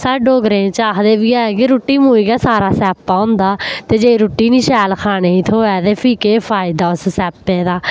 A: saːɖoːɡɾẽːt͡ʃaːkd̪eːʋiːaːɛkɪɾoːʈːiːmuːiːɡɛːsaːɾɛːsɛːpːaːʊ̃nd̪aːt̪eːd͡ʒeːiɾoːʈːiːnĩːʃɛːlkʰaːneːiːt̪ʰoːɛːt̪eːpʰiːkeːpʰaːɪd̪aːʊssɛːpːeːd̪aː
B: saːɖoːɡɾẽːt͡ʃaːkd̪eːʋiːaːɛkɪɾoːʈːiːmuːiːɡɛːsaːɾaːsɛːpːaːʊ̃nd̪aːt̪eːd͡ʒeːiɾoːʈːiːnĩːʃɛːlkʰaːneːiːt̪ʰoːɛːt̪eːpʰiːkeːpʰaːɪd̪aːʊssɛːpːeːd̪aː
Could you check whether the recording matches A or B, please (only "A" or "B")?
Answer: B